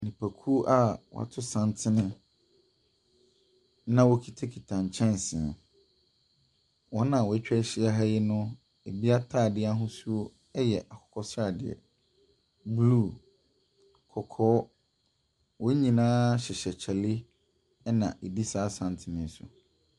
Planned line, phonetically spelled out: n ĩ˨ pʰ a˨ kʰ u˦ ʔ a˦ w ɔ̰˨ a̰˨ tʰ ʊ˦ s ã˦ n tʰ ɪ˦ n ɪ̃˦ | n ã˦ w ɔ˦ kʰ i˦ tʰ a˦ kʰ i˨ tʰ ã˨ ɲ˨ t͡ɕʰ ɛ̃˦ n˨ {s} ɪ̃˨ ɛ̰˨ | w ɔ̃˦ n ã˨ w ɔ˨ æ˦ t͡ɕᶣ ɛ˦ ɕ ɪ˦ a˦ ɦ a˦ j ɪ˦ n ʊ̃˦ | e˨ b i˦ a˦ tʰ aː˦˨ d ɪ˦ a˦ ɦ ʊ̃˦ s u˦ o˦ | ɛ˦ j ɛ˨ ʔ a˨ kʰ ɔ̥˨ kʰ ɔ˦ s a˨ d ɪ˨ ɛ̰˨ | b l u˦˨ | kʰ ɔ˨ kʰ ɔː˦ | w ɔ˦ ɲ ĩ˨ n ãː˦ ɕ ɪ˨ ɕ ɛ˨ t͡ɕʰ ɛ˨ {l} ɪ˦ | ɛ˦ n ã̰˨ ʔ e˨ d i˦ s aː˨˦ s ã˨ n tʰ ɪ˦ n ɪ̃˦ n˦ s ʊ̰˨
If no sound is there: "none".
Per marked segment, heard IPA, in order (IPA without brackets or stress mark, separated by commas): s, l